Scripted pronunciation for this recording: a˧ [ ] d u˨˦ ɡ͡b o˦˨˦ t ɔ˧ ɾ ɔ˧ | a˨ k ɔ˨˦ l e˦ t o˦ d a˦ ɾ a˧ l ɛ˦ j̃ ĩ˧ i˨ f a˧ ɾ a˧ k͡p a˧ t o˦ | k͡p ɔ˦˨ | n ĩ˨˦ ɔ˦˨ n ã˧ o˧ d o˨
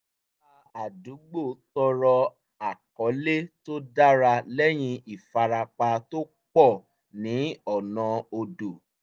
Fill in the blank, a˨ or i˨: a˨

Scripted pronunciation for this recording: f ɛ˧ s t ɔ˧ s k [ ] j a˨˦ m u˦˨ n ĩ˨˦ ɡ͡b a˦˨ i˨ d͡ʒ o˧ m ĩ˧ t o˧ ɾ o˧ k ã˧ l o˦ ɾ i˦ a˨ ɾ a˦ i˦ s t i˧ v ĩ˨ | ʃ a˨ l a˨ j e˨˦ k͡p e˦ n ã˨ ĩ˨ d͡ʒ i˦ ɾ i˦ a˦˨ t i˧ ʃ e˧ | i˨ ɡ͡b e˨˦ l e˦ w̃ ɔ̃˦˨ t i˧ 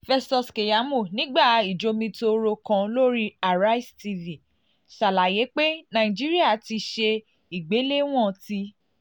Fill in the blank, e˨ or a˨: e˨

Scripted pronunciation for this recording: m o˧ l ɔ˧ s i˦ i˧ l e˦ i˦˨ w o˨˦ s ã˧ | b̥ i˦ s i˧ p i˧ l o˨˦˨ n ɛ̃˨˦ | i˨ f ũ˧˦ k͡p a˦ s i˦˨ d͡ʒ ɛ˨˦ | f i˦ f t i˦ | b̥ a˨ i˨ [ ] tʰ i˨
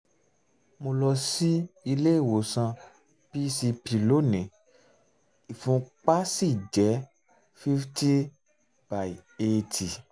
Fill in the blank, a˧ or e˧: e˧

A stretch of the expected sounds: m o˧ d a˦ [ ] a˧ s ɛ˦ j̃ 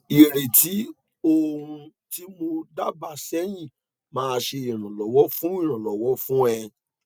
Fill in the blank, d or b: b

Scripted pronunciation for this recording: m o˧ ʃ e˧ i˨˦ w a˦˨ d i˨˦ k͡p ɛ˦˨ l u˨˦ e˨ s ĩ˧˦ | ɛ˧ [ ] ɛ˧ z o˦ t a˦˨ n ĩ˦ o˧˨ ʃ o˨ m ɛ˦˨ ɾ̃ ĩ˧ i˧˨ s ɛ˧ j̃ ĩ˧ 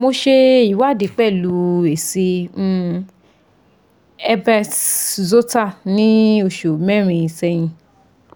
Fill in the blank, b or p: b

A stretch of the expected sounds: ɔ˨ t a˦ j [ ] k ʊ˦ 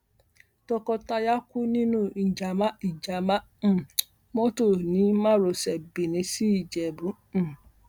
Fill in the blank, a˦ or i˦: a˦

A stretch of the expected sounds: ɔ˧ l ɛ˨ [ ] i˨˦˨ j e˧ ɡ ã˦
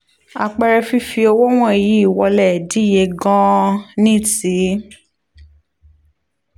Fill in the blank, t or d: d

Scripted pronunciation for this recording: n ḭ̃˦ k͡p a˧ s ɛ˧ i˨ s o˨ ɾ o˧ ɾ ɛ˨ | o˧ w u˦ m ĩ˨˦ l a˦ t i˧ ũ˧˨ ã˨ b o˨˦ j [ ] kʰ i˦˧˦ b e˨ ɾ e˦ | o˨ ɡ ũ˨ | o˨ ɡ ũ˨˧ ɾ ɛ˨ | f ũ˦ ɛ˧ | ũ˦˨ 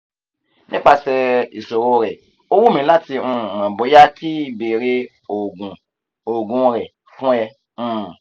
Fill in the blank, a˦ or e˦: a˦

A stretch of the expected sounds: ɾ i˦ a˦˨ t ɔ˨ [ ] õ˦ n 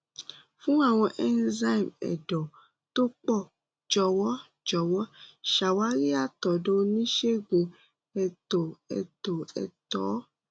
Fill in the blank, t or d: d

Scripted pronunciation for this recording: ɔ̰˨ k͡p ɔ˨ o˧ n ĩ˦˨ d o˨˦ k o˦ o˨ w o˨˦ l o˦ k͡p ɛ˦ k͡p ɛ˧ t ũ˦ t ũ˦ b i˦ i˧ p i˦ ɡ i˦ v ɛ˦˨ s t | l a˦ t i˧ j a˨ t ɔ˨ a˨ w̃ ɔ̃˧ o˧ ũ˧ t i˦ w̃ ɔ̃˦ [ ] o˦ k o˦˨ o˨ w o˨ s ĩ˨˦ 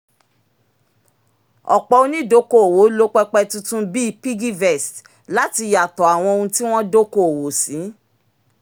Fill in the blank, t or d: d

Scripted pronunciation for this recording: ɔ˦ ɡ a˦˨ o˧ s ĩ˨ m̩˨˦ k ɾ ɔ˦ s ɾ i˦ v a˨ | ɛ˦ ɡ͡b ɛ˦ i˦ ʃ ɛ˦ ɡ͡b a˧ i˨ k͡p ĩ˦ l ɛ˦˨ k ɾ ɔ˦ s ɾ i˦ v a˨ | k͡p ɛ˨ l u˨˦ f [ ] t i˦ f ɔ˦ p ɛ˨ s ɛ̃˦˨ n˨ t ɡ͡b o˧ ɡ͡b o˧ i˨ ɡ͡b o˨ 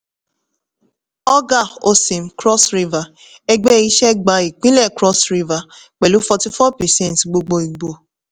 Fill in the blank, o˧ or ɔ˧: ɔ˧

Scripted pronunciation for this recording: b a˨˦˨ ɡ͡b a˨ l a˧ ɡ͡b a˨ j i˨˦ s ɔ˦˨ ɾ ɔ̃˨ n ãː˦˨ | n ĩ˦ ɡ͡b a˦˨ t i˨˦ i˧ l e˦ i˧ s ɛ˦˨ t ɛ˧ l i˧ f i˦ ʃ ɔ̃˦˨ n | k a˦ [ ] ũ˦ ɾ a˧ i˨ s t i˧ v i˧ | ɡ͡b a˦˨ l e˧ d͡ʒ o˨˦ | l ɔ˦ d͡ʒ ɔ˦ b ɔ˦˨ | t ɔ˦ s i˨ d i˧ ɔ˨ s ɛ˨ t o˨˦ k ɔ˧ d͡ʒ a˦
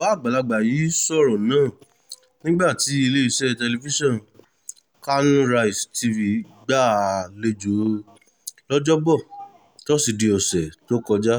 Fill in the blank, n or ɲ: n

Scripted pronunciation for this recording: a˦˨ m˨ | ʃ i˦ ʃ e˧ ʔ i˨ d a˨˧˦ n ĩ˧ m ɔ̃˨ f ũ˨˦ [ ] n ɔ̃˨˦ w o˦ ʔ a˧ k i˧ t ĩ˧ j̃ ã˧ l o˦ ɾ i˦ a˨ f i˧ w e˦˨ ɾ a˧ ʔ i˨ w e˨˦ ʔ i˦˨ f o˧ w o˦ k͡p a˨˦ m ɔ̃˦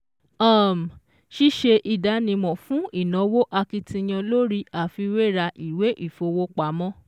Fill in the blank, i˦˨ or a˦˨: i˦˨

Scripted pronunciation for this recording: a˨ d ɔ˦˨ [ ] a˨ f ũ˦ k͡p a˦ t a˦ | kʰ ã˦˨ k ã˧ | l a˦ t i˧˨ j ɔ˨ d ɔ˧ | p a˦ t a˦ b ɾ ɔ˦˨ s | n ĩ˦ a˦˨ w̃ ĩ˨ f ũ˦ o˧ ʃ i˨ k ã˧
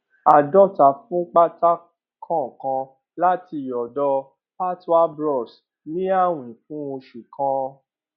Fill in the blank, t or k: t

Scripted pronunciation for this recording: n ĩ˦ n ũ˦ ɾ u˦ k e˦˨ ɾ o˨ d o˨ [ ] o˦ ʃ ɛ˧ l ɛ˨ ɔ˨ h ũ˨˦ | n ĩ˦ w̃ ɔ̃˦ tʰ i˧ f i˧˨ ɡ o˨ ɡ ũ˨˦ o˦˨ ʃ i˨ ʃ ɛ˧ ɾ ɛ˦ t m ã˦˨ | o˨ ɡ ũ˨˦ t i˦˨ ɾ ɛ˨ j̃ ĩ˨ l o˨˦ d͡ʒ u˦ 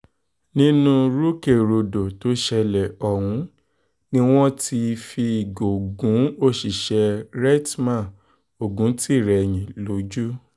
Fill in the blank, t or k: t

